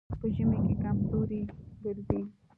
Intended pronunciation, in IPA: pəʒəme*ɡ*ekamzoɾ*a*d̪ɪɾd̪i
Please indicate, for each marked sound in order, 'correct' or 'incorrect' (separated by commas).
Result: incorrect, incorrect